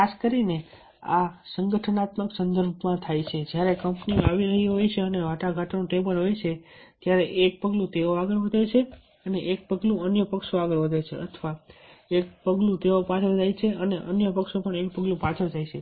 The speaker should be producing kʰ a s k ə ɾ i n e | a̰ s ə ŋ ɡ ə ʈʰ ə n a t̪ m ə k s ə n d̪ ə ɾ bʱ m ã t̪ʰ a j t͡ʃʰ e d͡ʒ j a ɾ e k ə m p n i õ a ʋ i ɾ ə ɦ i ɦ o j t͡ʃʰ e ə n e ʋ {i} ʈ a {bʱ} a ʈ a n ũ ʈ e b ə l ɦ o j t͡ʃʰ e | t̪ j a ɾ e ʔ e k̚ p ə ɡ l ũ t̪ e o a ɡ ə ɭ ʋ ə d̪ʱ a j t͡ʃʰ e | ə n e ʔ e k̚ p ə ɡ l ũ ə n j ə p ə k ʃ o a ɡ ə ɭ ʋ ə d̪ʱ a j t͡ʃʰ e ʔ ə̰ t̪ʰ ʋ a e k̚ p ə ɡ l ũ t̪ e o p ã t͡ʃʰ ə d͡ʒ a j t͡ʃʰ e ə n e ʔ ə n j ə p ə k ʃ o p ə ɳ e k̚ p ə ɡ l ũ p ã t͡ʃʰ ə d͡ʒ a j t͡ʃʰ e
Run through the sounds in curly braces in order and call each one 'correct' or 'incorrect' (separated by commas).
incorrect, incorrect